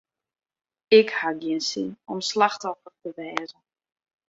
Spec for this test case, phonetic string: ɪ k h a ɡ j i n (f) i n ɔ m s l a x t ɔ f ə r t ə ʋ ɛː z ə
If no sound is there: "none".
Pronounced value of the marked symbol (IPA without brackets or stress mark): s